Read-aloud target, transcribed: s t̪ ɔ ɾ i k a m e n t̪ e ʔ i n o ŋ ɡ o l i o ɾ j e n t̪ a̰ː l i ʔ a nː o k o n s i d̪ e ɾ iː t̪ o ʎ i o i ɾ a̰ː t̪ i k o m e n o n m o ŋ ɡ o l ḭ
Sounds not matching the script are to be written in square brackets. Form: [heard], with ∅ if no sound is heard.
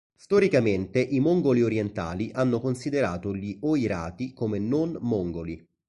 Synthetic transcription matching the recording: s t̪ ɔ ɾ i k a m e n t̪ e ʔ i [m] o ŋ ɡ o l i o ɾ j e n t̪ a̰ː l i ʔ a nː o k o n s i d̪ e ɾ [aː] t̪ o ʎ i o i ɾ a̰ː t̪ i k o m e n o n m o ŋ ɡ o l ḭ